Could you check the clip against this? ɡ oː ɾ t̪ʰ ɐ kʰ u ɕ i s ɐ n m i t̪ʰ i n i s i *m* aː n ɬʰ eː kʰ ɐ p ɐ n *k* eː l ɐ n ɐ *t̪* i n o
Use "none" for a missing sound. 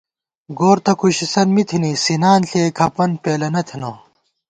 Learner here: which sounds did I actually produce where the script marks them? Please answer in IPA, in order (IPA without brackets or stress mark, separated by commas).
n, p, t̪ʰ